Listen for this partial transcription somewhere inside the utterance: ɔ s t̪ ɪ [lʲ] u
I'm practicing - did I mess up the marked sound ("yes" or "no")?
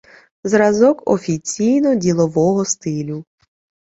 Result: no